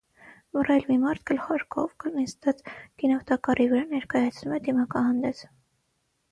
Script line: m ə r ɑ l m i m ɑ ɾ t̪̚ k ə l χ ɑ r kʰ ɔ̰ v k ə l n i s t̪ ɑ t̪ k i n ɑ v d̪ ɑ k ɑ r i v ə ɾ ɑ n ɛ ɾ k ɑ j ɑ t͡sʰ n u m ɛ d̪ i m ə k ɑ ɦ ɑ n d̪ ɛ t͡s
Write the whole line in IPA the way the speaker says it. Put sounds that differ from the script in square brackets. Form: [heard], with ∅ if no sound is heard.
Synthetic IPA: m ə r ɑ l m i m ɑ ɾ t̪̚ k ə l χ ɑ [ɾ] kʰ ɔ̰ v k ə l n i s t̪ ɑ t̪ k i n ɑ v [t̪] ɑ k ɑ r i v ə ɾ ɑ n ɛ ɾ k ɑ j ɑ t͡sʰ n u m ɛ d̪ i m [ɑ] k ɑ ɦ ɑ n d̪ ɛ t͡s